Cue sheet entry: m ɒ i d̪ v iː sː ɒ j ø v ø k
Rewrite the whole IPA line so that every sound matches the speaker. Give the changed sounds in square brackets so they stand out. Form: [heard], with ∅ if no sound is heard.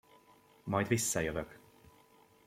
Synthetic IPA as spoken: m ɒ [j] d̪ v [i] sː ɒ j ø v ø k